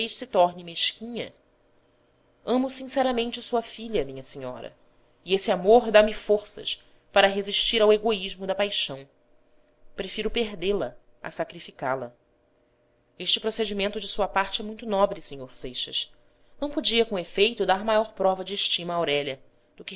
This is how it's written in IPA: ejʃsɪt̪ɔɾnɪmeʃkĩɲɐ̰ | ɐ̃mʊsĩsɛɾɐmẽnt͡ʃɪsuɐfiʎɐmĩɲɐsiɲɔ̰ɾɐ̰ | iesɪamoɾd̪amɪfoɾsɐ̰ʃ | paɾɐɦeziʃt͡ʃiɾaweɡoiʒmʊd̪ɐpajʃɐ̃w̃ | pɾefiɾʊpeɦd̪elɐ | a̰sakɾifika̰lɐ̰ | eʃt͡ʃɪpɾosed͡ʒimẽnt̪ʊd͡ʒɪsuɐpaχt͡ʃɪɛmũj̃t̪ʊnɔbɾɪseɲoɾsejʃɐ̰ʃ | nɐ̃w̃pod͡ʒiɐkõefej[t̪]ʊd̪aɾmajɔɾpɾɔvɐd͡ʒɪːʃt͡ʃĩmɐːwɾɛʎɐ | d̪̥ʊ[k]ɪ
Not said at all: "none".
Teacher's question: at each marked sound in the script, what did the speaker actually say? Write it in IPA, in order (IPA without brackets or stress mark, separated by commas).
t̪, k